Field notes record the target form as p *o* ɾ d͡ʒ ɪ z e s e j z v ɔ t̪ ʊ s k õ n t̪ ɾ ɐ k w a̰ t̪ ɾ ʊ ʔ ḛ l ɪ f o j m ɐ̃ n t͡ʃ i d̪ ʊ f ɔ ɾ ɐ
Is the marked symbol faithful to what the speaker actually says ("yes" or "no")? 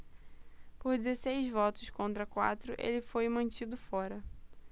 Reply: yes